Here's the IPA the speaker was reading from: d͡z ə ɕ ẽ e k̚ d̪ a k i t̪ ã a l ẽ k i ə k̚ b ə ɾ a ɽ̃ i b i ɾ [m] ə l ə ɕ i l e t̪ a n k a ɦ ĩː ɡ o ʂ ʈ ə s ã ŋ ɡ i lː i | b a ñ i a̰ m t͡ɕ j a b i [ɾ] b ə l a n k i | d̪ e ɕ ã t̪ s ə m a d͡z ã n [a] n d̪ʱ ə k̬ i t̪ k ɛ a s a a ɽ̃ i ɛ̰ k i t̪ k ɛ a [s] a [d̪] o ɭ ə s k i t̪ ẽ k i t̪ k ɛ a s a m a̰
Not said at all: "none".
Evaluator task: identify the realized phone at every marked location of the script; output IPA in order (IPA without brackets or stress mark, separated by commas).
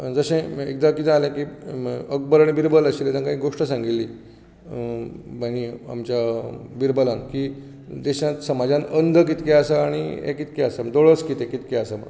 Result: b, ɾ, ə, s, d̪